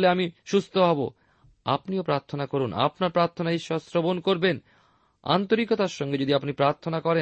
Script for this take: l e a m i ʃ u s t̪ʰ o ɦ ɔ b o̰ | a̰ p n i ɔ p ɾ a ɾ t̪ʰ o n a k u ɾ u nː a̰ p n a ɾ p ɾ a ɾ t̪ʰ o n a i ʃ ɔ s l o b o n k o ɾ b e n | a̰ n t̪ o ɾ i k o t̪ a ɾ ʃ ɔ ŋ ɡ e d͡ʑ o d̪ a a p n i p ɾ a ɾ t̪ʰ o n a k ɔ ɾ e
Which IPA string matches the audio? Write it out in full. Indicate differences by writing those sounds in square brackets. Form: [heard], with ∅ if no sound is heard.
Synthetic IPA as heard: l e a m i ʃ u s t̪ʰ o ɦ ɔ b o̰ | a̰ p n i [o] p ɾ a ɾ t̪ʰ o n a k [o] ɾ u [n] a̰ p n a ɾ p ɾ a ɾ t̪ʰ o n a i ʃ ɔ s [ɾ] o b o n k o ɾ b e n | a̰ n t̪ o ɾ i k o t̪ a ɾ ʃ ɔ ŋ ɡ e d͡ʑ o d̪ [i] a p n i p ɾ a ɾ t̪ʰ o n a k ɔ ɾ e